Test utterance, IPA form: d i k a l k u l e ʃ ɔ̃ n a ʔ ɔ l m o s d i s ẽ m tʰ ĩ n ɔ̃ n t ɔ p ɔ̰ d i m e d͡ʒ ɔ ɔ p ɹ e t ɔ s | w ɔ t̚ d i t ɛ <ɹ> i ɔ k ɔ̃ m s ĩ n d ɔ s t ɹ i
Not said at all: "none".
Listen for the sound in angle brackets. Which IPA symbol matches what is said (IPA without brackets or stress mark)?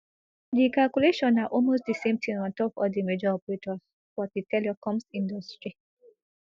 l